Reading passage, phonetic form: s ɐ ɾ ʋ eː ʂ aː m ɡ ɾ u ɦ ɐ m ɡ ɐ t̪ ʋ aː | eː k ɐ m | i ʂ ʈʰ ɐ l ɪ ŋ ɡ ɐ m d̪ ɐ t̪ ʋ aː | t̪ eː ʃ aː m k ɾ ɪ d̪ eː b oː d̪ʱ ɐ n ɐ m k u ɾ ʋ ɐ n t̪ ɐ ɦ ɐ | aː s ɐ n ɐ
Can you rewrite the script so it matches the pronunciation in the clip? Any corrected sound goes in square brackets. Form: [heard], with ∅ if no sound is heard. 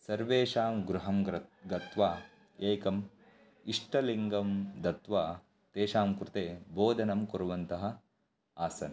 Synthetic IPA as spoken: s ɐ ɾ ʋ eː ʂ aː m ɡ ɾ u ɦ ɐ m ɡ ɐ t̪ ʋ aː | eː k ɐ m | i ʂ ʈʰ ɐ l [i] ŋ ɡ ɐ m d̪ ɐ t̪ ʋ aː | t̪ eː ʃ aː m k ɾ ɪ [t̪] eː b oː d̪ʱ ɐ n ɐ m k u ɾ ʋ ɐ n t̪ ɐ ɦ ɐ | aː s ɐ n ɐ

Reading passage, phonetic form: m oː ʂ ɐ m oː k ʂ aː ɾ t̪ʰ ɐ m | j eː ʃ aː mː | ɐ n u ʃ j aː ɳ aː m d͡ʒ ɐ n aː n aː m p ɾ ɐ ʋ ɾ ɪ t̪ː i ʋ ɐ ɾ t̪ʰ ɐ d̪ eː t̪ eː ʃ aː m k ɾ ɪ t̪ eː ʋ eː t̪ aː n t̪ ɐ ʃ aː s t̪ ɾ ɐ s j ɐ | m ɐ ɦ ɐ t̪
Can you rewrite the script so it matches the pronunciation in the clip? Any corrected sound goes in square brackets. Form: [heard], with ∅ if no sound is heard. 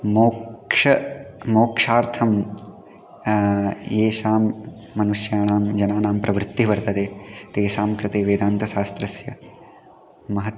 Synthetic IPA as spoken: m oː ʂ ɐ m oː k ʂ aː ɾ t̪ʰ ɐ m | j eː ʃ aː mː | ɐ n u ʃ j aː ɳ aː m d͡ʒ ɐ n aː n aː m p ɾ ɐ ʋ ɾ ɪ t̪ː i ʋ ɐ ɾ [t̪] ɐ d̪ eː t̪ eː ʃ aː m k ɾ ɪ t̪ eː ʋ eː [d̪] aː n t̪ ɐ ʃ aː s t̪ ɾ ɐ s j ɐ | m ɐ ɦ ɐ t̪

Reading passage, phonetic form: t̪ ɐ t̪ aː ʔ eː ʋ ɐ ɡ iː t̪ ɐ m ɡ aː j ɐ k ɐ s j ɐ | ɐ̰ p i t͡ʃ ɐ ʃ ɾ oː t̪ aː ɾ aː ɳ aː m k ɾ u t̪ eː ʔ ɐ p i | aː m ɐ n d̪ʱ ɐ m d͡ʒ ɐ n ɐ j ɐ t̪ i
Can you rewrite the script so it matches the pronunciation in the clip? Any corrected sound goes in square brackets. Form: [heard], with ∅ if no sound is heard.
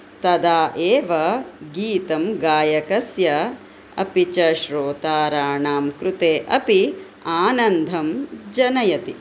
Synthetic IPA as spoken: t̪ ɐ [d̪] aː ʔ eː ʋ ɐ ɡ iː t̪ ɐ m ɡ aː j ɐ k ɐ s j ɐ | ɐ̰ p i t͡ʃ ɐ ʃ ɾ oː t̪ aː ɾ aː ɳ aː m k ɾ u t̪ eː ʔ ɐ p i | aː [n] ɐ n d̪ʱ ɐ m d͡ʒ ɐ n ɐ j ɐ t̪ i

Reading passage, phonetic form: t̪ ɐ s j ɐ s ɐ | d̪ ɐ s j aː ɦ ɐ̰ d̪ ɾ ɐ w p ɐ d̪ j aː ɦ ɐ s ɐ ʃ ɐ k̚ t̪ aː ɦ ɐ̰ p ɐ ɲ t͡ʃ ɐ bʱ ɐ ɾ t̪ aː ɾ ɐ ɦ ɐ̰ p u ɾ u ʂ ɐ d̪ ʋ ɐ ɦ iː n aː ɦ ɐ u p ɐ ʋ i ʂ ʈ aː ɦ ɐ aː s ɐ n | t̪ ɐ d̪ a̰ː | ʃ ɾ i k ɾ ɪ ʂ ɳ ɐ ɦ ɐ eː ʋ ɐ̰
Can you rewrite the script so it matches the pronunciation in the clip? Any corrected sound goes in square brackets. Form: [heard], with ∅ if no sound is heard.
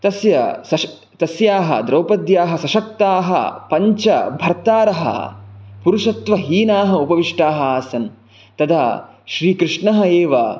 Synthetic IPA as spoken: t̪ ɐ s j ɐ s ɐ | [t̪] ɐ s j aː ɦ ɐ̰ d̪ ɾ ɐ w p ɐ d̪ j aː ɦ ɐ s ɐ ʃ ɐ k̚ t̪ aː ɦ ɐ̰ p ɐ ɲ t͡ʃ ɐ bʱ ɐ ɾ t̪ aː ɾ ɐ ɦ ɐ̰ p u ɾ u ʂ ɐ [t̪] ʋ ɐ ɦ iː n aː ɦ ɐ u p ɐ ʋ i ʂ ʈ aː ɦ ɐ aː s ɐ n | t̪ ɐ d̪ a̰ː | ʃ ɾ [iː] k ɾ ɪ ʂ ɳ ɐ ɦ ɐ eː ʋ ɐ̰

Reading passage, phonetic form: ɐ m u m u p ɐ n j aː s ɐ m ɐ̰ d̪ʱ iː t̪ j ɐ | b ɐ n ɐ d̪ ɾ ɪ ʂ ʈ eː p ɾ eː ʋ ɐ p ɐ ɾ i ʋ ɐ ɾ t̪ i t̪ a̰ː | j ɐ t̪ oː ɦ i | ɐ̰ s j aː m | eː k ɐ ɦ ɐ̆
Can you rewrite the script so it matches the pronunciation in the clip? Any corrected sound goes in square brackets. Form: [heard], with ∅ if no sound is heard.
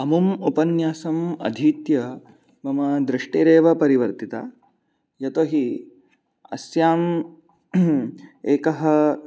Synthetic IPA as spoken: ɐ m u m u p ɐ n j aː s ɐ m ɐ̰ d̪ʱ iː t̪ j ɐ | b ɐ [m] ɐ d̪ ɾ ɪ ʂ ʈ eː [∅] ɾ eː ʋ ɐ p ɐ ɾ i ʋ ɐ ɾ t̪ i t̪ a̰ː | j ɐ t̪ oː ɦ i | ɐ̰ s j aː m | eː k ɐ ɦ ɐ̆

